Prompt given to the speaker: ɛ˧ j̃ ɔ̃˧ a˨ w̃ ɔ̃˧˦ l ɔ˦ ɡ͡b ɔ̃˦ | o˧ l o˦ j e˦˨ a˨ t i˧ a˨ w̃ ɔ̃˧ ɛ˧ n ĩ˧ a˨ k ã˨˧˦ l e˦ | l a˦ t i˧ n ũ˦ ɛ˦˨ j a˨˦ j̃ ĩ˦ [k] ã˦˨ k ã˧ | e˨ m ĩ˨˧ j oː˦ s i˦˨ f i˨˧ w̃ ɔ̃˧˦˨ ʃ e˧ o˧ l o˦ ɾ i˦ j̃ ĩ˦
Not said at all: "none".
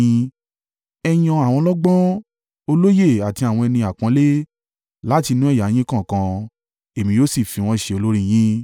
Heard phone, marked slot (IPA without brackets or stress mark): k